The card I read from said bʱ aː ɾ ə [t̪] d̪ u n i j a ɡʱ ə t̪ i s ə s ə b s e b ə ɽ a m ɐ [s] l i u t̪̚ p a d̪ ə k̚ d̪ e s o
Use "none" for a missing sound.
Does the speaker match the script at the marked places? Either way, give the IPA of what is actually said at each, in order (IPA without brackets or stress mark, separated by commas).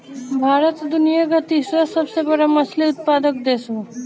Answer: t̪, s